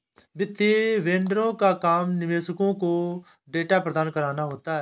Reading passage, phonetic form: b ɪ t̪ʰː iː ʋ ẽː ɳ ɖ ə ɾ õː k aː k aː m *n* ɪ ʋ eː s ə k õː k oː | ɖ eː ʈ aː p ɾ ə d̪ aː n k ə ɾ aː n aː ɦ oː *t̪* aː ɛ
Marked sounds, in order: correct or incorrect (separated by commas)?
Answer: correct, correct